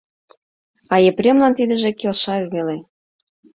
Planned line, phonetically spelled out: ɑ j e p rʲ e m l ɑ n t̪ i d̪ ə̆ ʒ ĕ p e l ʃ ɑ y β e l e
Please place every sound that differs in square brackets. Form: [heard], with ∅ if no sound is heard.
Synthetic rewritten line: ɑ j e p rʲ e m l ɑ n t̪ i d̪ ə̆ ʒ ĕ [k] e l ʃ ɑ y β e l e